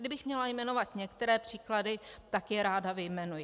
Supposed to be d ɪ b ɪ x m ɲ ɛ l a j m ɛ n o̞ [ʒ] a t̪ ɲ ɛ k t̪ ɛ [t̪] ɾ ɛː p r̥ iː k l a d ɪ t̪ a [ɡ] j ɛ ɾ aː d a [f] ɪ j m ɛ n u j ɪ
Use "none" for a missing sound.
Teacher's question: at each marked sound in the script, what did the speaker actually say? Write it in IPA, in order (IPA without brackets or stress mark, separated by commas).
v, none, k, v